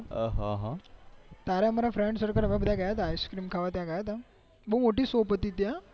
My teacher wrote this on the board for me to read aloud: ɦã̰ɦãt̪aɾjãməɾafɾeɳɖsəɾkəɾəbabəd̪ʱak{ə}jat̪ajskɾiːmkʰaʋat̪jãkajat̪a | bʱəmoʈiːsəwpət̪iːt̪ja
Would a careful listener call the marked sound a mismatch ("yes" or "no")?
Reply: yes